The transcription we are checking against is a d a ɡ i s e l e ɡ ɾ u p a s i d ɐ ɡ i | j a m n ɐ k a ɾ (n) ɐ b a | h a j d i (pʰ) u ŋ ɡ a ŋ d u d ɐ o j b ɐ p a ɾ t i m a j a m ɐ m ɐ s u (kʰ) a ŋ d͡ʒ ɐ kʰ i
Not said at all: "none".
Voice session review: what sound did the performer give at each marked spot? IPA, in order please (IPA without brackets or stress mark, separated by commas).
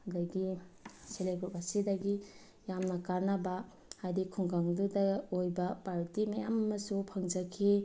n, kʰ, pʰ